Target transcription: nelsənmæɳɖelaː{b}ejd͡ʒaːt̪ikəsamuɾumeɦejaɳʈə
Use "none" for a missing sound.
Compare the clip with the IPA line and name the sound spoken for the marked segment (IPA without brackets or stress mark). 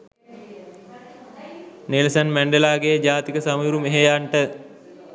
ɡ